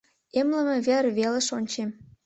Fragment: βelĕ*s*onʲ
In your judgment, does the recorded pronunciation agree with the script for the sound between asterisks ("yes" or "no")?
no